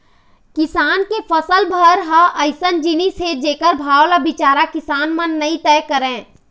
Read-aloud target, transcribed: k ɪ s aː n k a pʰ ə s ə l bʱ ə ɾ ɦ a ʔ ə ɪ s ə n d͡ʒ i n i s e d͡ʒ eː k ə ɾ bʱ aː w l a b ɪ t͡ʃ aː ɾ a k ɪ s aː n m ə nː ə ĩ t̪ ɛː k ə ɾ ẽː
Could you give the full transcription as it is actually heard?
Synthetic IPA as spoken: k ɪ s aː n k e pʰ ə s ə l bʱ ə ɾ ɦ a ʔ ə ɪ s ə n d͡ʒ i n i s e d͡ʒ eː k ə ɾ bʱ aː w l a b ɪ t͡ʃ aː ɾ a k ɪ s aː n m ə nː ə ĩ t̪ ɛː k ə ɾ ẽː